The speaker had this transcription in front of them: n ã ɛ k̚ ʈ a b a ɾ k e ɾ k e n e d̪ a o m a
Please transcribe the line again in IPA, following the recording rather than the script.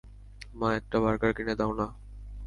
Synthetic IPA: m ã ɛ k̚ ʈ a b a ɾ k a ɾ k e n e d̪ a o n a

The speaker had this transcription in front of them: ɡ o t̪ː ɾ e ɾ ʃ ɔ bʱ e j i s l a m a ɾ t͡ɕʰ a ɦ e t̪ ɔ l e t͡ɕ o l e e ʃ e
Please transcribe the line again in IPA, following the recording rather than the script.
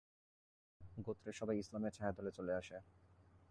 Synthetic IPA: ɡ o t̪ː ɾ e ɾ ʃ ɔ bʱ a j i s l a m e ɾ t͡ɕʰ a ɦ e d̪ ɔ l e t͡ɕ o l e a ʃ e

